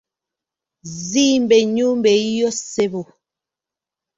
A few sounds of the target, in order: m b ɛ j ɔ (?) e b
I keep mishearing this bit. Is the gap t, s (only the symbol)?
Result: s